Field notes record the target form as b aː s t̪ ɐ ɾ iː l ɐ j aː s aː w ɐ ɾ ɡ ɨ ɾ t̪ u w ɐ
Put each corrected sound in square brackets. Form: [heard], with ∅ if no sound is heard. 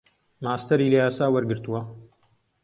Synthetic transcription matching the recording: [m] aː s t̪ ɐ ɾ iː l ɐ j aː s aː w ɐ ɾ ɡ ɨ ɾ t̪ u w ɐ